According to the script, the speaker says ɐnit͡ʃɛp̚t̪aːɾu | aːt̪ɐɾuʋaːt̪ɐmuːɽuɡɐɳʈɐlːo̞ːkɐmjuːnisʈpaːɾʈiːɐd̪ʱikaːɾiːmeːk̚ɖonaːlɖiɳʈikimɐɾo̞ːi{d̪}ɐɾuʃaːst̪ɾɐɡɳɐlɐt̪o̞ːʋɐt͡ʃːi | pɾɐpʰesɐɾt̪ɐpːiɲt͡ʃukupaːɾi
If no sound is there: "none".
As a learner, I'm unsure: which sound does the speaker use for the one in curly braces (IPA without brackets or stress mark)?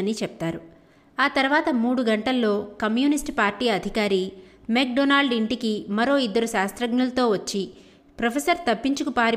d̪ː